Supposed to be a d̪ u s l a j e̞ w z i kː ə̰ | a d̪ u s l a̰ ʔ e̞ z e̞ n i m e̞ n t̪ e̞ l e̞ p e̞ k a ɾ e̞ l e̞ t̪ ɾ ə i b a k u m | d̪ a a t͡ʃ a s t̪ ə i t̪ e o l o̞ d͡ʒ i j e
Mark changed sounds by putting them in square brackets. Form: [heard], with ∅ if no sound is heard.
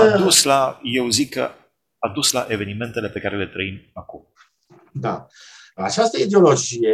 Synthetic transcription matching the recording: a d̪ u s l a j e̞ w z i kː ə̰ | a d̪ u s l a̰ ʔ e̞ [v] e̞ n i m e̞ n t̪ e̞ l e̞ p e̞ k a ɾ e̞ l e̞ t̪ ɾ ə i [m] a k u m | d̪ a a t͡ʃ a s t̪ ə i [d̪] e o l o̞ d͡ʒ i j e